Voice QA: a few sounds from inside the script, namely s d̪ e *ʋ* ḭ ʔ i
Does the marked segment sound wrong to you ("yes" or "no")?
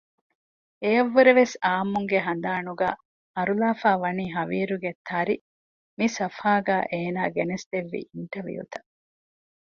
yes